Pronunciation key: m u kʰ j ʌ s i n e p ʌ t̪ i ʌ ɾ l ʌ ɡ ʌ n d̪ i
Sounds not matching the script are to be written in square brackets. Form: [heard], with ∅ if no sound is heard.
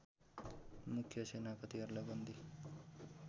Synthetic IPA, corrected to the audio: m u kʰ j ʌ s [e] n [a] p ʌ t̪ i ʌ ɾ l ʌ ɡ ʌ n d̪ i